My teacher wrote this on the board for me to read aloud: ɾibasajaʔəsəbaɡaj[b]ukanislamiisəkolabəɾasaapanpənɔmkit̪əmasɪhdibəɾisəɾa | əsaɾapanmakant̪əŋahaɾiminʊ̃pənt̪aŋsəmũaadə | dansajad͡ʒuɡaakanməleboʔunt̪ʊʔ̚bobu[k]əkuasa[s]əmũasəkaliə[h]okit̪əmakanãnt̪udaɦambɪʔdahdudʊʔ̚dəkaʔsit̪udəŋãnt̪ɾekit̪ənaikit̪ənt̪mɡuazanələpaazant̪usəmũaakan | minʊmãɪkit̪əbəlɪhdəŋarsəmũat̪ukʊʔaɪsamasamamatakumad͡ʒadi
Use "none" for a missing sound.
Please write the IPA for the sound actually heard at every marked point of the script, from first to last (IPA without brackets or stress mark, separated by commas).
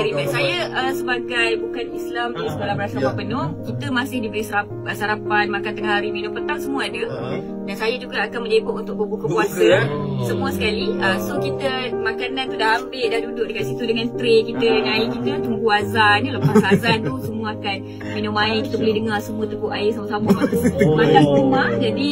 b, k, s, s